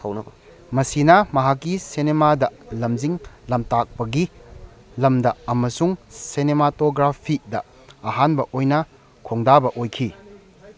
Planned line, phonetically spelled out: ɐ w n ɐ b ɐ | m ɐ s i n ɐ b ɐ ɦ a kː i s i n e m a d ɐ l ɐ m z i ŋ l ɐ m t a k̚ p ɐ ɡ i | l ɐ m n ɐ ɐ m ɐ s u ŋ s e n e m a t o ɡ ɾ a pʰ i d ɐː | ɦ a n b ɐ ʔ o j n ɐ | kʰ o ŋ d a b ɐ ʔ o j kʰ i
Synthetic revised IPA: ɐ w n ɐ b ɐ | m ɐ s i n ɐ m ɐ ɦ a kː i s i n e m a d ɐ l ɐ m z i ŋ l ɐ m t a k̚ p ɐ ɡ i | l ɐ m d ɐ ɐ m ɐ s u ŋ s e n e m a t o ɡ ɾ a pʰ i d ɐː | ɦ a n b ɐ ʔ o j n ɐ | kʰ o ŋ d a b ɐ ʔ o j kʰ i